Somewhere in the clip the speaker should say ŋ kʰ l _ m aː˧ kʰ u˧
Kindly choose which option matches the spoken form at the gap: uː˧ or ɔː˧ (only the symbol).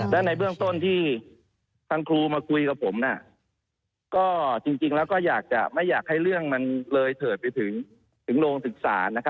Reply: uː˧